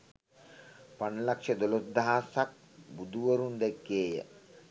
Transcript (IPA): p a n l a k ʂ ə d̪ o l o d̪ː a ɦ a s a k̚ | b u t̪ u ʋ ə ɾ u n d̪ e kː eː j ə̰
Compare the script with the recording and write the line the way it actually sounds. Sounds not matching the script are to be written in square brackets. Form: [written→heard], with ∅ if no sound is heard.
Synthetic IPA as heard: p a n l a k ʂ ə d̪ o l o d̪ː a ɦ a s a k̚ | b u [t̪→d̪] u ʋ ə ɾ u n d̪ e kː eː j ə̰